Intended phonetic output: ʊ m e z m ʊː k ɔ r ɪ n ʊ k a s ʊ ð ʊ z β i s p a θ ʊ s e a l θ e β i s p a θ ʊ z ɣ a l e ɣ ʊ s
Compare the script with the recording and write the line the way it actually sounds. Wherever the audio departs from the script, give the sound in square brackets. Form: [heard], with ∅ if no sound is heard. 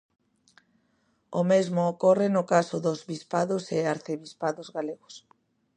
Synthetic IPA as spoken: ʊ m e z m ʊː k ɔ r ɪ n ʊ k a s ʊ ð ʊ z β i s p a [ð] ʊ s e a [ɾ] θ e β i s p a [ð] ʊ z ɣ a l e ɣ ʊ s